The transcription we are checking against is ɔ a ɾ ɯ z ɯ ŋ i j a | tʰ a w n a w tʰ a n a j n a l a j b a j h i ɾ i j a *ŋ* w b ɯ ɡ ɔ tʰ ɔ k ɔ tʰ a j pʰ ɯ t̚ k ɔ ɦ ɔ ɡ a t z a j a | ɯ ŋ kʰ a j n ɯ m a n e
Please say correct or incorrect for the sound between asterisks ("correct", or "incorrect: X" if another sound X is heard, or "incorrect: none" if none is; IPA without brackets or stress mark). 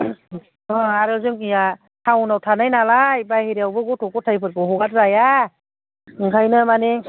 incorrect: none